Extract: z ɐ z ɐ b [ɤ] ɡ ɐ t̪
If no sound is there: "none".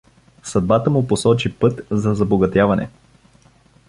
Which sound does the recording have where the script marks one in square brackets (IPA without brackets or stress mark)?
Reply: o